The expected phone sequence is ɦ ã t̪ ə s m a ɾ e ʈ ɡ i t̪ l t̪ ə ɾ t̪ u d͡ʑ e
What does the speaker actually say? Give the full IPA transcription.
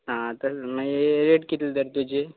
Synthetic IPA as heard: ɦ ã t̪ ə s m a ɾ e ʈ k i t̪ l d̪ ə ɾ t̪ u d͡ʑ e